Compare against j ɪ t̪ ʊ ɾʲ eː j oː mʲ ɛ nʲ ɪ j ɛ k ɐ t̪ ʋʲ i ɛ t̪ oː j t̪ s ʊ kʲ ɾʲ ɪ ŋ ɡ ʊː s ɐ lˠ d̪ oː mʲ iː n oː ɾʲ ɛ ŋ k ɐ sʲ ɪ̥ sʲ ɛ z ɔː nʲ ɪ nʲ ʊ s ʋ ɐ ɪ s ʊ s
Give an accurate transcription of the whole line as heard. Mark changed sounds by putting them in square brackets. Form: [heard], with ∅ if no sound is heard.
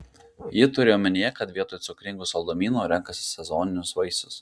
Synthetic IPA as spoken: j ɪ t̪ ʊ ɾʲ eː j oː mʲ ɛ nʲ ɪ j ɛ k ɐ t̪ ʋʲ i ɛ t̪ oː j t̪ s ʊ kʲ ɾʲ ɪ ŋ ɡ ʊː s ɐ lˠ d̪ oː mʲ iː n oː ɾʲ ɛ ŋ k ɐ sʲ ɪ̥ sʲ ɛ z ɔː nʲ ɪ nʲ ʊ s ʋ ɐ ɪ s ʊ s